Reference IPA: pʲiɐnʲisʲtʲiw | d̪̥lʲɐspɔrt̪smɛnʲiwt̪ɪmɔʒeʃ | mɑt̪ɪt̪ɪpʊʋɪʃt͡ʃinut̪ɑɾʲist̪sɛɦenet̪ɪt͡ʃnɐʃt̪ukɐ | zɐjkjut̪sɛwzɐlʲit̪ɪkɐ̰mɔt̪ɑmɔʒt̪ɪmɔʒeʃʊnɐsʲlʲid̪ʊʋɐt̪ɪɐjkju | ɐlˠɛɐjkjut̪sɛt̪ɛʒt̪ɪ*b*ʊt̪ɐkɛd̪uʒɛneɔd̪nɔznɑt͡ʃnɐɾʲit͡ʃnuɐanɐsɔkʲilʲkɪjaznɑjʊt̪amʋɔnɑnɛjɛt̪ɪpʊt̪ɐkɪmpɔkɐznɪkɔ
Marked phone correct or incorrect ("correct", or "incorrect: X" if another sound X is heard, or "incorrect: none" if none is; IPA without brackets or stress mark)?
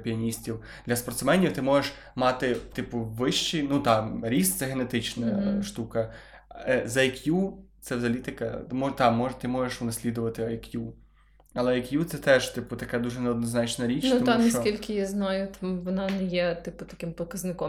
incorrect: p